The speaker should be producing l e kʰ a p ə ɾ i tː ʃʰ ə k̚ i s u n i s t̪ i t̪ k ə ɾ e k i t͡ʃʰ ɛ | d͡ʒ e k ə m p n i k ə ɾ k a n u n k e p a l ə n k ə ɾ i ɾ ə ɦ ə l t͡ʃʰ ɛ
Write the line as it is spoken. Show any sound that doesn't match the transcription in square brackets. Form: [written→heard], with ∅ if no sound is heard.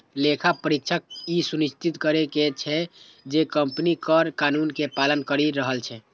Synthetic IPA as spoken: l e kʰ a p ə ɾ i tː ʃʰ ə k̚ i s u n i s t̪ i t̪ k ə ɾ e k [i→e] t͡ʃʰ ɛ | d͡ʒ e k ə m p n i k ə ɾ k a n u n k e p a l ə n k ə ɾ i ɾ ə ɦ ə l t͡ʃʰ ɛ